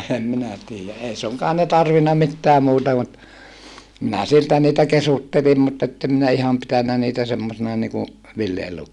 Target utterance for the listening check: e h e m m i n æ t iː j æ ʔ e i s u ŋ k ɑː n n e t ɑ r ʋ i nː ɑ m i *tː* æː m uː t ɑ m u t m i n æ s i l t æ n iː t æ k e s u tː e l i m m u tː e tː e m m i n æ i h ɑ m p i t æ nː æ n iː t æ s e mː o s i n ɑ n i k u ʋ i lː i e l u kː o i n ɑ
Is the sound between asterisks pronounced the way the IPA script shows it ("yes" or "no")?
yes